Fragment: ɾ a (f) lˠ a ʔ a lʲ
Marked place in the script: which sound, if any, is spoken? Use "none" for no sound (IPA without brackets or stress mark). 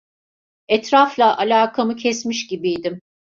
f